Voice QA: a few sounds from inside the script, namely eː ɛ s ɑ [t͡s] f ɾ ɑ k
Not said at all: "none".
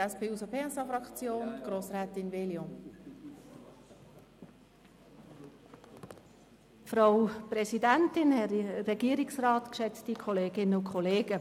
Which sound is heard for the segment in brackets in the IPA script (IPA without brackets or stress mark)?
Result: none